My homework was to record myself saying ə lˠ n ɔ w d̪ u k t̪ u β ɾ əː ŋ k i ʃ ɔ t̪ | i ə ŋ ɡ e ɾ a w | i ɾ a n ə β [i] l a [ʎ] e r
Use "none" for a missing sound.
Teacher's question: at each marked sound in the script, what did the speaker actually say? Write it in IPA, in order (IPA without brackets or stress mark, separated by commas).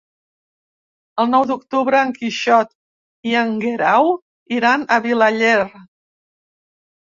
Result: i, ʎ